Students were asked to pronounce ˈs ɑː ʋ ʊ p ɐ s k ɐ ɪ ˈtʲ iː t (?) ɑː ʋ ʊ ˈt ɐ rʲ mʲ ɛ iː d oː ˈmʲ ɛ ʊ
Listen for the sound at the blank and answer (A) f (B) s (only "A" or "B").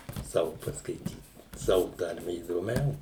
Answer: B